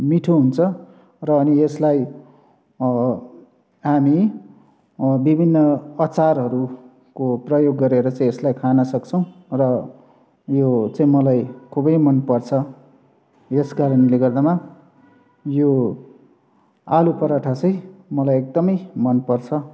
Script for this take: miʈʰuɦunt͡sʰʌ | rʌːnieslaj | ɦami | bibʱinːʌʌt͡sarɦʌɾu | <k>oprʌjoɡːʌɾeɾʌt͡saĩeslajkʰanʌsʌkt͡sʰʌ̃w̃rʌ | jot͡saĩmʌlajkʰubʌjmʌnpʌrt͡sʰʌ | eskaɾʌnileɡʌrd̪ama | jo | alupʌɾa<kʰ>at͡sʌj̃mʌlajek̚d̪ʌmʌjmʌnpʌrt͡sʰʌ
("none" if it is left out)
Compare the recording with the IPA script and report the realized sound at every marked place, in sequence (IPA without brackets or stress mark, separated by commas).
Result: k, ʈʰ